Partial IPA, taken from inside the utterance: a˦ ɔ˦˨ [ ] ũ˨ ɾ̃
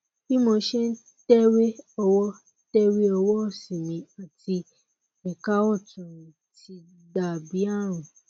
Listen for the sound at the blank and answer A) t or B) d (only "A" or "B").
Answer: A